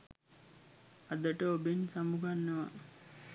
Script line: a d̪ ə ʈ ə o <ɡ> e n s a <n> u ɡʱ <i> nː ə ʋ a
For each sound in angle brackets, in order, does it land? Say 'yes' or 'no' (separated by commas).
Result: no, no, no